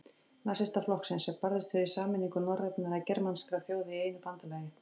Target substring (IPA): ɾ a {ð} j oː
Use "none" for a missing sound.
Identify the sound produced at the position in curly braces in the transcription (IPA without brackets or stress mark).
θ